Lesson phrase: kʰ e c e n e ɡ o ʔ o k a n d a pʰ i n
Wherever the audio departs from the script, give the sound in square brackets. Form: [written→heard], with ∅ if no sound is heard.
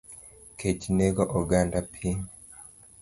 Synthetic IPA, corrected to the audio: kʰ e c [e→i] n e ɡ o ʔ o [k→ɡ] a n d a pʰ i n